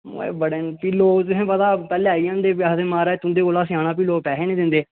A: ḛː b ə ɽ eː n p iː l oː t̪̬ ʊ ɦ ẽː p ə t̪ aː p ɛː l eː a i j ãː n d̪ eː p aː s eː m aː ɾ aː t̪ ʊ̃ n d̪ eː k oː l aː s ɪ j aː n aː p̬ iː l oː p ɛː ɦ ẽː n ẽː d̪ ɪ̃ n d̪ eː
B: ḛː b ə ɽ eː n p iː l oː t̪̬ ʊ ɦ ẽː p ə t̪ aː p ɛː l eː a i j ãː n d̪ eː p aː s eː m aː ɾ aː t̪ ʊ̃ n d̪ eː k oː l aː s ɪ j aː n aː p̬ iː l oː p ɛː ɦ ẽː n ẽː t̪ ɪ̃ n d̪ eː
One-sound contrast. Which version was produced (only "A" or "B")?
A